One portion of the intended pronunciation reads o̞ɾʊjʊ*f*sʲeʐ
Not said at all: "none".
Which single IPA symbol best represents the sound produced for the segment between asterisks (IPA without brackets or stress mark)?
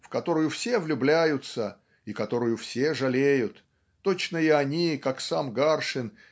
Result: f